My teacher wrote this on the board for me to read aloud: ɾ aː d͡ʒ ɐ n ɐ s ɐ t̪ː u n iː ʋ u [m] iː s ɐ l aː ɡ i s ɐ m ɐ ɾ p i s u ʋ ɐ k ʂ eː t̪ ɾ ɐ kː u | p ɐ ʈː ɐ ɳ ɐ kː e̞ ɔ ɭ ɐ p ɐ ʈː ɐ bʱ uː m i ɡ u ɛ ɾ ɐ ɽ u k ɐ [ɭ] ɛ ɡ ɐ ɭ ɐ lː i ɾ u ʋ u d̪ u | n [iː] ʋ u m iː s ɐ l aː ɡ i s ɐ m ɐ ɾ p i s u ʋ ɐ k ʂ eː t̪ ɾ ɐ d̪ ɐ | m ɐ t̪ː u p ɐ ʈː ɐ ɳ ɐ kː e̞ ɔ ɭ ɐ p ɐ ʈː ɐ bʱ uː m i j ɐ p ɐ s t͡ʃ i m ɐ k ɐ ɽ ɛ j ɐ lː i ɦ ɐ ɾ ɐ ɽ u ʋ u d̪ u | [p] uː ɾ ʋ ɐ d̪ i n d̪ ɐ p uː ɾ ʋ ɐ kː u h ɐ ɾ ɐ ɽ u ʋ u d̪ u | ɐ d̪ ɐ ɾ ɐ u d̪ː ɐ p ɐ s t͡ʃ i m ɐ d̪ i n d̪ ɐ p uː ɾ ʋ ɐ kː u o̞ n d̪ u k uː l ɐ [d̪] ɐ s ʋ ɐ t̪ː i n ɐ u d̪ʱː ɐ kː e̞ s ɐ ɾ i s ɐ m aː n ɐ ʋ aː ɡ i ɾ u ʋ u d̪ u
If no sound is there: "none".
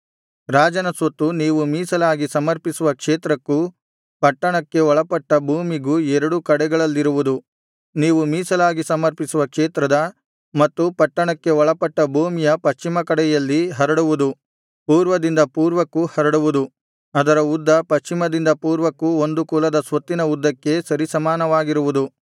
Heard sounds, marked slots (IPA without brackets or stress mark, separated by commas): m, ɽ, iː, p, d̪